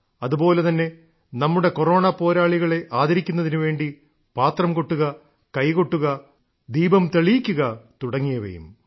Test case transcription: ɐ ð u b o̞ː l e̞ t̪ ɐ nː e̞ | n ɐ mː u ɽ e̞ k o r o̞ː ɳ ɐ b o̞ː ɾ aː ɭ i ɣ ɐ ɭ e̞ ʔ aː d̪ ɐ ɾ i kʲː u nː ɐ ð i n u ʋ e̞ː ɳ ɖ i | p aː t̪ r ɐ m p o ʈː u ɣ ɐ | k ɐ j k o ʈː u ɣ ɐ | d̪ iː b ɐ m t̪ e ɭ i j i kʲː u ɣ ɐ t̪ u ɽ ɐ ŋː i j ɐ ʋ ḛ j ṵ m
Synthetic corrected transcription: ɐ ð u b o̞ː l e̞ t̪ ɐ nː e̞ | n ɐ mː u ɽ e̞ k o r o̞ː ɳ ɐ p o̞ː ɾ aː ɭ i ɣ ɐ ɭ e̞ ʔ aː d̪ ɐ ɾ i kʲː u nː ɐ ð i n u ʋ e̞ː ɳ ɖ i | p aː t̪ r ɐ m k o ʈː u ɣ ɐ | k ɐ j k o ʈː u ɣ ɐ | d̪ iː b ɐ m t̪ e ɭ i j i kʲː u ɣ ɐ t̪ u ɽ ɐ ŋː i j ɐ ʋ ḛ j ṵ m

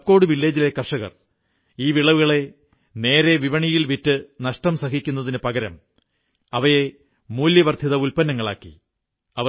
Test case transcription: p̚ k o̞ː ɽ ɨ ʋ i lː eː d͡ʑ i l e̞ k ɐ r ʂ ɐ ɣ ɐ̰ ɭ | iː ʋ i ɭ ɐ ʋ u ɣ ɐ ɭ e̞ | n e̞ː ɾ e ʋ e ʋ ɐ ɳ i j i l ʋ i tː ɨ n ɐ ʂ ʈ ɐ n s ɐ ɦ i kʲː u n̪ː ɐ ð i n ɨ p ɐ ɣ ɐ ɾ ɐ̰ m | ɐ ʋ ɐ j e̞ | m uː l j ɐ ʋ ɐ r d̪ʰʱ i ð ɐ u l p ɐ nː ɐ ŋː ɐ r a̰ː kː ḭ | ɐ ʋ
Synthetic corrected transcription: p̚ k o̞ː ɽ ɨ ʋ i lː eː d͡ʑ i l e̞ k ɐ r ʂ ɐ ɣ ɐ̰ r | iː ʋ i ɭ ɐ ʋ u ɣ ɐ ɭ e̞ | n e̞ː ɾ e ʋ i ʋ ɐ ɳ i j i l ʋ i tː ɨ n ɐ ʂ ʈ ɐ m s ɐ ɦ i kʲː u n̪ː ɐ ð i n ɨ p ɐ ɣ ɐ ɾ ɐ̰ m | ɐ ʋ ɐ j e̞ | m uː l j ɐ ʋ ɐ r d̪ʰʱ i ð ɐ u l p ɐ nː ɐ ŋː ɐ ɭ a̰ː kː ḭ | ɐ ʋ

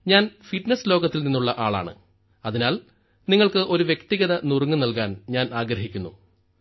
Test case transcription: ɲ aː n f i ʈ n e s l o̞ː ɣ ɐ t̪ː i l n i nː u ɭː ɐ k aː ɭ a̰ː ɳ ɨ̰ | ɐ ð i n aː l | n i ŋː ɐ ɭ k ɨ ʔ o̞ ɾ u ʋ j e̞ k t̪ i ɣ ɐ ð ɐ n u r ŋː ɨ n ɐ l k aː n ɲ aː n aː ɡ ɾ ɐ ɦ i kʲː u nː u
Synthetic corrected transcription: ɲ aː n f i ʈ n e s l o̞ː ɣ ɐ t̪ː i l n i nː u ɭː ɐ ʔ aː ɭ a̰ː ɳ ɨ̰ | ɐ ð i n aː l | n i ŋː ɐ ɭ k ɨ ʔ o̞ ɾ u ʋ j e̞ k t̪ i ɣ ɐ ð ɐ n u r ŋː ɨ n ɐ l k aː n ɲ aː n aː ɡ ɾ ɐ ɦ i kʲː u nː u

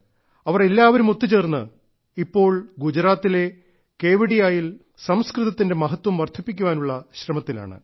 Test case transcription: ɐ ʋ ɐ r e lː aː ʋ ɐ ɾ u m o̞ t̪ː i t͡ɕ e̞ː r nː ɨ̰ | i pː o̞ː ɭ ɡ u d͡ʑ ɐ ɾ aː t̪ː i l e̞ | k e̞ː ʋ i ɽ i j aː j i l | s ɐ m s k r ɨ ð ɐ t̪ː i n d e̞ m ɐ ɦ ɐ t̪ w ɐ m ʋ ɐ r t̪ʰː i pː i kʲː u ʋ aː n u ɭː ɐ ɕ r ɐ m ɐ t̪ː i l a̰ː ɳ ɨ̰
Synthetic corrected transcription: ɐ ʋ ɐ r e lː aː ʋ ɐ ɾ u m o̞ t̪ː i t͡ɕ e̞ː r nː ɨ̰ | i pː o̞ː ɭ ɡ u d͡ʑ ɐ ɾ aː t̪ː i l e̞ | k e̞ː ʋ i ɽ i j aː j i l | s ɐ m s k r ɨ ð ɐ t̪ː i n d e̞ m ɐ ɦ ɐ t̪ w ɐ m ʋ ɐ r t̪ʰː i pː i kʲː u ʋ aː n u ɭː ɐ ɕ r ɐ m ɐ t̪ː i l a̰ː ɳ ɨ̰

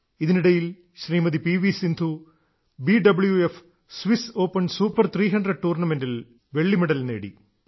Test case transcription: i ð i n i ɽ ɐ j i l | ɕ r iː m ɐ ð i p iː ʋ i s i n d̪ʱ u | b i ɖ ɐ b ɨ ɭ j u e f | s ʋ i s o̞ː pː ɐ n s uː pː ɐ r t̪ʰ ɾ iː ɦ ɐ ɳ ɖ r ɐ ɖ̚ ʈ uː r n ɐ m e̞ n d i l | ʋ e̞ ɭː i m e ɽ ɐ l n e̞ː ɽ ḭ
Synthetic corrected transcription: i ð i n i ɽ ɐ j i l | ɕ r iː m ɐ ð i p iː ʋ i s i n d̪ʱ u | b i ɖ ɐ b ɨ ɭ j u e f | s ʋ i s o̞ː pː ɐ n s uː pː ɐ r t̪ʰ r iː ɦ ɐ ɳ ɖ r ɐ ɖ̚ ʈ uː r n ɐ m e̞ n d i l | ʋ e̞ ɭː i m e ɽ ɐ l n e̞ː ɽ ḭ

